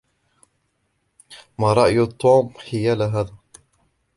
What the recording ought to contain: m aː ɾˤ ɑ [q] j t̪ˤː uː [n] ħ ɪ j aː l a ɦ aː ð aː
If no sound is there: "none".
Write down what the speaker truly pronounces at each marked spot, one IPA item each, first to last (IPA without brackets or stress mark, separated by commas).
ʔ, m